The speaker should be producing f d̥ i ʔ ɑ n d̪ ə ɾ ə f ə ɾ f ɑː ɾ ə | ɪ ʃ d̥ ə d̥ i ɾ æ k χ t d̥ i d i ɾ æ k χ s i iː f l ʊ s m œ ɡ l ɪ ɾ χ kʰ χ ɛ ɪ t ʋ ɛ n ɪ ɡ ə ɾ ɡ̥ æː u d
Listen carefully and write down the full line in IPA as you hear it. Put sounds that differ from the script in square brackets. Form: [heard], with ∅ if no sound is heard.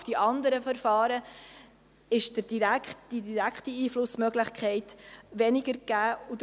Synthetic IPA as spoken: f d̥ i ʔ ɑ n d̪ ə ɾ ə f ə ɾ f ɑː ɾ ə | ɪ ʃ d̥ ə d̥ i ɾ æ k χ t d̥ i d i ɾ æ k χ [t] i iː f l ʊ s m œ ɡ l ɪ [∅] χ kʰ χ ɛ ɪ t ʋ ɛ n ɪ ɡ ə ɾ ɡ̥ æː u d